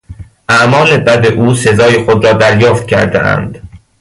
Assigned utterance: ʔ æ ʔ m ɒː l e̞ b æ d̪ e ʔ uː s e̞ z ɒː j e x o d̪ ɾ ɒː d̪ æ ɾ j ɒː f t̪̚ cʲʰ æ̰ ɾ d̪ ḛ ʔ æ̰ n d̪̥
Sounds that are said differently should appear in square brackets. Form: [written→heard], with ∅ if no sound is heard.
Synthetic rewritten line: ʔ æ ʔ m ɒː l e̞ b æ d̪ e ʔ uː s e̞ z ɒː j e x o d̪ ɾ ɒː d̪ æ ɾ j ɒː f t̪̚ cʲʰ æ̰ ɾ d̪ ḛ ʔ æ̰ n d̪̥